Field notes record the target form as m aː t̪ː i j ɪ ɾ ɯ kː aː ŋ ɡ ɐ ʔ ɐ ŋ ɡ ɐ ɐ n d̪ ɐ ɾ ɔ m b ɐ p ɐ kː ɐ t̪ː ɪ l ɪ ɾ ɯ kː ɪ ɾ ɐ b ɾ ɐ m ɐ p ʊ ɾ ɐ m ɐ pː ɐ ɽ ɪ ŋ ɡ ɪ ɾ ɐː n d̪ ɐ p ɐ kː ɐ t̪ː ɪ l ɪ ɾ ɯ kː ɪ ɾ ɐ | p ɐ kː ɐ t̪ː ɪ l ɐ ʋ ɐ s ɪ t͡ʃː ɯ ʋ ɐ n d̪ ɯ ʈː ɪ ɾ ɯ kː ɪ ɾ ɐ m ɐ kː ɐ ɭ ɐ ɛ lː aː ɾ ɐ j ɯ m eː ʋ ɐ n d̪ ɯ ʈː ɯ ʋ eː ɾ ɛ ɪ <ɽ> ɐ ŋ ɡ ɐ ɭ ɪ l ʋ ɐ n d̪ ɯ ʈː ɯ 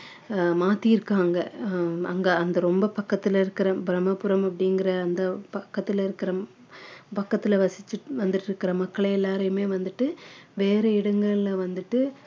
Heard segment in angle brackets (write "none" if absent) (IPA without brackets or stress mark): ɽ